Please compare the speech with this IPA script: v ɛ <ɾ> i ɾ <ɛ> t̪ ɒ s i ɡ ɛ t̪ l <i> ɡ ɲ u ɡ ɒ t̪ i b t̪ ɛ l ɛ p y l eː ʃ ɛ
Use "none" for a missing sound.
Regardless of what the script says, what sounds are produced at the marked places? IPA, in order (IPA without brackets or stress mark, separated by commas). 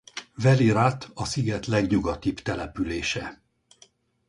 l, a, ɛ